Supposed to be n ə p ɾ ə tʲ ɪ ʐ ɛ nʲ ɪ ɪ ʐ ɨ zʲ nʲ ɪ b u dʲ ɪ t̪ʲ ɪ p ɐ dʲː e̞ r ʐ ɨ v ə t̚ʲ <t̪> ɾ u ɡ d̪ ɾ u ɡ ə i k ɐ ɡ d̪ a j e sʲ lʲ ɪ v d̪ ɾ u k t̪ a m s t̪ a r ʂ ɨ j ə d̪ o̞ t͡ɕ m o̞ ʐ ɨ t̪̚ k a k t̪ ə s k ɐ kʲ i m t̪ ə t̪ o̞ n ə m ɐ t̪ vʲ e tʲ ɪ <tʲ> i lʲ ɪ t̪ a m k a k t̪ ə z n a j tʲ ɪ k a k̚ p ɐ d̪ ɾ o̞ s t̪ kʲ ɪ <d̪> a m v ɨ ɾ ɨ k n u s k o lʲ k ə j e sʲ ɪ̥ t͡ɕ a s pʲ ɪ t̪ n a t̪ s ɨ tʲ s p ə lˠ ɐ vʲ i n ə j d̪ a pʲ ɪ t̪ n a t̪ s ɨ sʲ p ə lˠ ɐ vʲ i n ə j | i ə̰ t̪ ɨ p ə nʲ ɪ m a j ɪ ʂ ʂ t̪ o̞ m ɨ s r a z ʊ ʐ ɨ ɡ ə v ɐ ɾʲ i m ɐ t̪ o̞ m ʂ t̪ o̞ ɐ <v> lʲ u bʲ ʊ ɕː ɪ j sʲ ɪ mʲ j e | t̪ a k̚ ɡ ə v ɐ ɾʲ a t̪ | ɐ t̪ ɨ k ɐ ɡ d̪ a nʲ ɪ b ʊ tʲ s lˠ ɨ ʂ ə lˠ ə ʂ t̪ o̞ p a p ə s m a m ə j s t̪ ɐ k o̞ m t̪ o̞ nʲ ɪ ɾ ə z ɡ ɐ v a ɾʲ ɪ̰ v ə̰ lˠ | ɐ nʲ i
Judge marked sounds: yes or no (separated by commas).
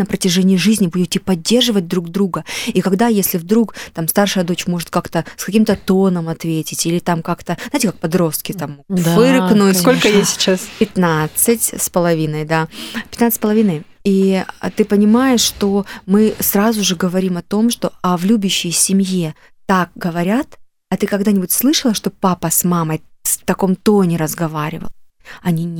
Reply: no, yes, no, yes